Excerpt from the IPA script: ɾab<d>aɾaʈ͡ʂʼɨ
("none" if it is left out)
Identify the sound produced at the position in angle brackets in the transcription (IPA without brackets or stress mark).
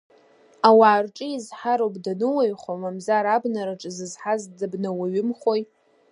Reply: n